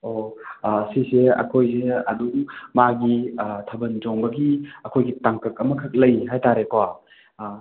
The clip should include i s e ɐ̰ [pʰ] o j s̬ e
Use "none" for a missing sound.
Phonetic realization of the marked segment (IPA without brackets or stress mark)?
kʰ